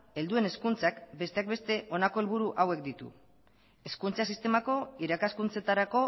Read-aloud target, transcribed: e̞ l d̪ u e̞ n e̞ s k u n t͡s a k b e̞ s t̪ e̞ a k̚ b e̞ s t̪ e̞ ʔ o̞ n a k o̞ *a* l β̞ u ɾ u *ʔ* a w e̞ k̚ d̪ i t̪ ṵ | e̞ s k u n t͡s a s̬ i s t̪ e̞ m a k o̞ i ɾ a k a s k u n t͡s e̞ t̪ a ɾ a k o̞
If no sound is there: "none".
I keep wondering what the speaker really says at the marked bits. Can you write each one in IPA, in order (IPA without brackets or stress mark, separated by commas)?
e, ʔ